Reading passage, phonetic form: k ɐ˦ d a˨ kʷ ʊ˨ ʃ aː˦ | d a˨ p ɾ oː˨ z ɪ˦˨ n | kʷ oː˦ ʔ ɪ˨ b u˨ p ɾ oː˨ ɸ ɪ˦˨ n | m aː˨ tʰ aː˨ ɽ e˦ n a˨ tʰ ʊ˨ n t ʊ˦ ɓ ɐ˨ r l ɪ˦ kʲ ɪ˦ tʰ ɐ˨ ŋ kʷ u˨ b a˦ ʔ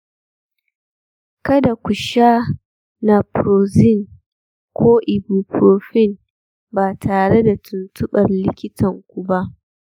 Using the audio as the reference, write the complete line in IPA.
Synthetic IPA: k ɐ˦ d a˨ kʷ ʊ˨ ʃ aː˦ | n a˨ p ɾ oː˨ z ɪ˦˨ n | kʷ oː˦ ʔ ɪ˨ b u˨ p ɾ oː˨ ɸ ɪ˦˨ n | b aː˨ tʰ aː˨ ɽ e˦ d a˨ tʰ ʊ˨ n t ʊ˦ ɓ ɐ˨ r l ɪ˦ kʲ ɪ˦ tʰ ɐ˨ ŋ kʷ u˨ b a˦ ʔ